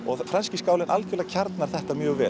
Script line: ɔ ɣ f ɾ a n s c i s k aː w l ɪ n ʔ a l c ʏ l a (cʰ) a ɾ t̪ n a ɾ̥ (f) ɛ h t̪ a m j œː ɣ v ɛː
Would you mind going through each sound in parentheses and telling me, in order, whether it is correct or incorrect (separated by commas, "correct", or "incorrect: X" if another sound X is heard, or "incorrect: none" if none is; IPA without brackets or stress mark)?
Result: correct, incorrect: θ